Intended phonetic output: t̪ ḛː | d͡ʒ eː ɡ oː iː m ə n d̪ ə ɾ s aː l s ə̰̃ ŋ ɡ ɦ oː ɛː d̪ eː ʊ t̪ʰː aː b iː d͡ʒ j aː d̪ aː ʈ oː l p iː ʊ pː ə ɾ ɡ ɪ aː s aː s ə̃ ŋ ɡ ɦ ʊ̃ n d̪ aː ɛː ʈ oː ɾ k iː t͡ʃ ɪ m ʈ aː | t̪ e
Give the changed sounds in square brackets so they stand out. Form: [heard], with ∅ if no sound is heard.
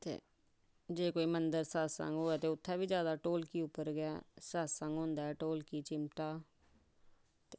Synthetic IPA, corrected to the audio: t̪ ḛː | d͡ʒ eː [k] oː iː m ə n d̪ ə ɾ s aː [∅] s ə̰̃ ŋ ɡ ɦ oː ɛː [t̪] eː ʊ t̪ʰː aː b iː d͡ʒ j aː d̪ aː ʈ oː l [k] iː ʊ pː ə ɾ ɡ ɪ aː s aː s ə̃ ŋ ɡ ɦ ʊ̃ n d̪ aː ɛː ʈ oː [l] k iː t͡ʃ ɪ m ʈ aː | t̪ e